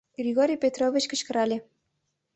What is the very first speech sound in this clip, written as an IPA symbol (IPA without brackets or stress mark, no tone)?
ɡ